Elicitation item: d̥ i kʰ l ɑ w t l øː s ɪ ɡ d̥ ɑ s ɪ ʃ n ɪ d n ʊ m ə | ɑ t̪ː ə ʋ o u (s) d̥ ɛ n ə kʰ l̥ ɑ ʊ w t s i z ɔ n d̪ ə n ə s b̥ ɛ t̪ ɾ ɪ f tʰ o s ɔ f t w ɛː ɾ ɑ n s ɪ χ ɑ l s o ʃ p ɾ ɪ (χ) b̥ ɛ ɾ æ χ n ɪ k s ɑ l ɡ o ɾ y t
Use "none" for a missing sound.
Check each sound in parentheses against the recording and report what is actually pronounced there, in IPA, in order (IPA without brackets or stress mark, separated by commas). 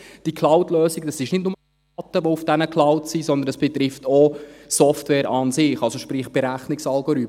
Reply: f, χ